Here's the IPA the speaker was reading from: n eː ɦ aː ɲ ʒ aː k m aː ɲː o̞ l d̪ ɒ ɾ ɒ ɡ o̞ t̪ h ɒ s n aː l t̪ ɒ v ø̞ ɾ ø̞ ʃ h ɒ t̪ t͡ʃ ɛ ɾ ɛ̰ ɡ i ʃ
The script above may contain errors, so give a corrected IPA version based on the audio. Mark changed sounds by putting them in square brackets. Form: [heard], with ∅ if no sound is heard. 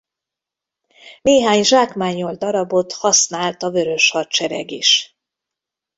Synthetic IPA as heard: n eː ɦ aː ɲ ʒ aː k m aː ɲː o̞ l d̪ ɒ ɾ ɒ [b] o̞ t̪ h ɒ s n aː l t̪ ɒ v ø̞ ɾ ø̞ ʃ h ɒ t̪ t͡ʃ ɛ ɾ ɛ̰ ɡ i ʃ